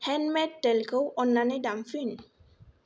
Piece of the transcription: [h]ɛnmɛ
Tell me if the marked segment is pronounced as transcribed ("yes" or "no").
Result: yes